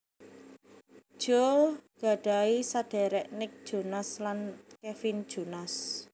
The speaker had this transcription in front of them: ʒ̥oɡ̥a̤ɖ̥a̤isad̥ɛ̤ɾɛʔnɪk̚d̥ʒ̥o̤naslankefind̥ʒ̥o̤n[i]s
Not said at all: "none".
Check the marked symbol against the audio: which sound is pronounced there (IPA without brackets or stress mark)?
a